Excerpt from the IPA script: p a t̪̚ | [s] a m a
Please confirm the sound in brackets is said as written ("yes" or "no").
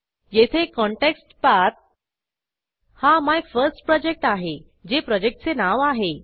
no